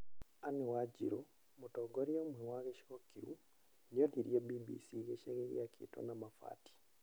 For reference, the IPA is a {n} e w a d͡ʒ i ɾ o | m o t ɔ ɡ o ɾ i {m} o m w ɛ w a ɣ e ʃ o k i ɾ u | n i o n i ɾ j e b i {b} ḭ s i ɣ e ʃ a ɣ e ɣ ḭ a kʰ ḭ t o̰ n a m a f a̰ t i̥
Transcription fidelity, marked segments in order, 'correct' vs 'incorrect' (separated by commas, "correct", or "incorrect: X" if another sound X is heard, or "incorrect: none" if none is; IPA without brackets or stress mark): correct, incorrect: none, correct